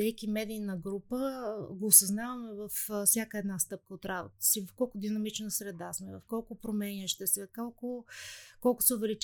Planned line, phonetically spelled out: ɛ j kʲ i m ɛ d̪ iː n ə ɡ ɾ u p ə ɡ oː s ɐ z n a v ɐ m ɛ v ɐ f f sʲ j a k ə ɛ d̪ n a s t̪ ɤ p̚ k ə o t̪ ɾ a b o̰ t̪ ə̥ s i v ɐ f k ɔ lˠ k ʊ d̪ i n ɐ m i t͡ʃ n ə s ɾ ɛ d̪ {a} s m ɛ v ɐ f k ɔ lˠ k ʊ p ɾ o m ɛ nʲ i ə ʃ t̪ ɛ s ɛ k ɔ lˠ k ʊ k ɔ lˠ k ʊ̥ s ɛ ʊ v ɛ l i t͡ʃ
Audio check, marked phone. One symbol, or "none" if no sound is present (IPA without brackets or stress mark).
a